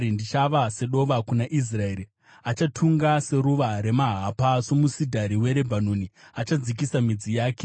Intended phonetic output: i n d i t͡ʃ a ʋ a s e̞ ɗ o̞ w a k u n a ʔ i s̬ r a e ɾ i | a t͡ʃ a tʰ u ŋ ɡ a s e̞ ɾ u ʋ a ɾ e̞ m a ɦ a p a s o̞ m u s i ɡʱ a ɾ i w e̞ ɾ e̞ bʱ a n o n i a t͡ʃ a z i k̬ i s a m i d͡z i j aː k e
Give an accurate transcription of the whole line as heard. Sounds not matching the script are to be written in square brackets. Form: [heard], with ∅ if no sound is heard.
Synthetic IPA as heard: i n d i t͡ʃ a ʋ a s e̞ ɗ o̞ [ʋ] a k u n a ʔ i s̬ r a e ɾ i | a t͡ʃ a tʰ u ŋ ɡ a s e̞ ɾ u ʋ a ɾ e̞ m a ɦ a p a s o̞ m u s i [dʱ] a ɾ i w e̞ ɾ e̞ bʱ a n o n i a t͡ʃ a [d͡z] i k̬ i s a m i d͡z i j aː k e